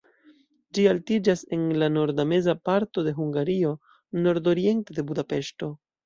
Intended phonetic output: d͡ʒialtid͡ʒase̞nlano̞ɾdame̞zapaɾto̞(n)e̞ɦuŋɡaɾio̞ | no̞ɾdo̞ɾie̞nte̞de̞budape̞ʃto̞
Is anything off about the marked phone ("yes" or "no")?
yes